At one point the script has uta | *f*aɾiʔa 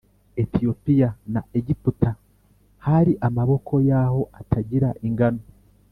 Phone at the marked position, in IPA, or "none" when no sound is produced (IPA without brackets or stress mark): h